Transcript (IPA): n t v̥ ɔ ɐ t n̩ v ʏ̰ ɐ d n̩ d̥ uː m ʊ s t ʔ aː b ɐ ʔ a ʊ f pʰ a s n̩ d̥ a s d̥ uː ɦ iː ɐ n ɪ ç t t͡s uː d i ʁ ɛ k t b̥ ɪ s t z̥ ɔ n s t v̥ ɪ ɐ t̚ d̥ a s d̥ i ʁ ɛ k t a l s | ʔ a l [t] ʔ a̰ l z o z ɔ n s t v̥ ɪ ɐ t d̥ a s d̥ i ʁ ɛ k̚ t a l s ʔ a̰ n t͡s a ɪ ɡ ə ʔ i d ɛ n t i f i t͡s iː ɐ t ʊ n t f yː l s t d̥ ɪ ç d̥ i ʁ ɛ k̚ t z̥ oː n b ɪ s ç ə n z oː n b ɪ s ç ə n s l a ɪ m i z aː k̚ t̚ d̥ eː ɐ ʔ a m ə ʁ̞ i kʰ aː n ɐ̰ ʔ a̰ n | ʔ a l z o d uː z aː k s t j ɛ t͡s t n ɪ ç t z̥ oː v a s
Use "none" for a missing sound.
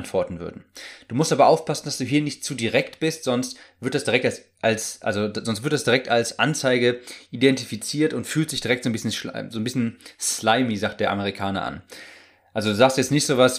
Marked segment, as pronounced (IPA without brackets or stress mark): s